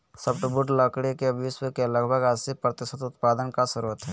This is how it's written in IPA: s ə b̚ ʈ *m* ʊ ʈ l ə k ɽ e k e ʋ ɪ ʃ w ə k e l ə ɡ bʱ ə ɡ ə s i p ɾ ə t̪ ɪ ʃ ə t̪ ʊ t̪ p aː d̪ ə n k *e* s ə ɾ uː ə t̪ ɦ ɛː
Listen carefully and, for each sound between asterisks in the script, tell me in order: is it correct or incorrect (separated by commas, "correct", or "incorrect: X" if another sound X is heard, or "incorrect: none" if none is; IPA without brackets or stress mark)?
incorrect: b, incorrect: a